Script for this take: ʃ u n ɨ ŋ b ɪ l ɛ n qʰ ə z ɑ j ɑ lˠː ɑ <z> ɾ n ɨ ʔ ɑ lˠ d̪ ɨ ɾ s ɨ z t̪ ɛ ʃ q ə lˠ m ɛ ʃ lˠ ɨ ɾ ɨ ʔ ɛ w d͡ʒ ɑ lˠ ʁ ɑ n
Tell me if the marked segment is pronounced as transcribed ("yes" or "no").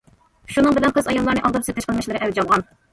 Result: no